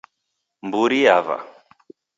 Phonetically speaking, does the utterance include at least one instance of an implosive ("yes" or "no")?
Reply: no